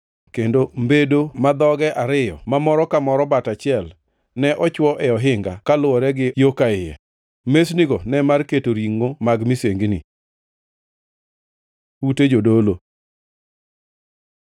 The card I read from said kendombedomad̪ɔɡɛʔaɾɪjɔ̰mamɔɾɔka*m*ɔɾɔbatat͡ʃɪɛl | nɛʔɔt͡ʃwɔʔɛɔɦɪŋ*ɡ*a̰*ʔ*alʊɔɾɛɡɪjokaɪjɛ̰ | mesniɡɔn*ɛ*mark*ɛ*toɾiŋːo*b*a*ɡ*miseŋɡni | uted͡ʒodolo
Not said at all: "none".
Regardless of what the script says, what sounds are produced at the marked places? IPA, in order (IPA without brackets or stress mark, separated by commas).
m, ɡ, k, ɛ, e, m, ɡ